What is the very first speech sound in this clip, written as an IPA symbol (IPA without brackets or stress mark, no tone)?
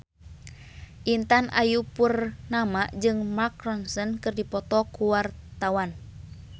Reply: ʔ